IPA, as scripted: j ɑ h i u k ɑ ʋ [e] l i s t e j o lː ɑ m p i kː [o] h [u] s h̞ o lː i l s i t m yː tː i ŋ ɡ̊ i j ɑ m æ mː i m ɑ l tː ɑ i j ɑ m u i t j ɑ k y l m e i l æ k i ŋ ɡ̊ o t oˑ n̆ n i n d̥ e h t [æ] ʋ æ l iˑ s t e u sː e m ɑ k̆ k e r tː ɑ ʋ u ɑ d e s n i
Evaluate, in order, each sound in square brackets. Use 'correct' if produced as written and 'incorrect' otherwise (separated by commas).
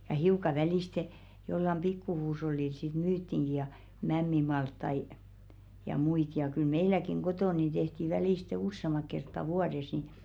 incorrect, incorrect, incorrect, incorrect